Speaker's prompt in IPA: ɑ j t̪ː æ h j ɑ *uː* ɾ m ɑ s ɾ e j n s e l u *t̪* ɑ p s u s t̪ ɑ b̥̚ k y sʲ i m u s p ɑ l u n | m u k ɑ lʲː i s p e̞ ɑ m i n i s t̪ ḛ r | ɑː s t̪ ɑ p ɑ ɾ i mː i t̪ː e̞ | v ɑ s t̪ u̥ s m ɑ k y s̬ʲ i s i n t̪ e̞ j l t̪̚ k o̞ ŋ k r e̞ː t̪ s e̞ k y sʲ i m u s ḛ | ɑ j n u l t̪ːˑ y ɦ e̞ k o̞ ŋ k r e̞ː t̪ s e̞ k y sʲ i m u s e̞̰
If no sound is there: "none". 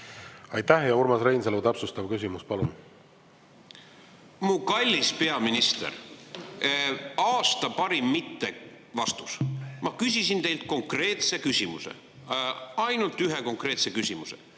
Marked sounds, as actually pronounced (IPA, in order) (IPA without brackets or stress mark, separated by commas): u, t̪